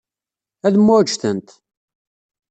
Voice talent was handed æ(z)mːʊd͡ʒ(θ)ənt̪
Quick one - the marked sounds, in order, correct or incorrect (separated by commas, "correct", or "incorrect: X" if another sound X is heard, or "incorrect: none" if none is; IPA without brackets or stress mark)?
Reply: incorrect: ð, correct